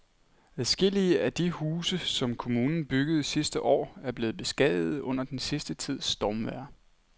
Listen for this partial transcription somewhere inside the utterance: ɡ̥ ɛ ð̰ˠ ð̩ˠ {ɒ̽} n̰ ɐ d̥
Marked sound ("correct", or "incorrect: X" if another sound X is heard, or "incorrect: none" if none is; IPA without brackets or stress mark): incorrect: ɔ̽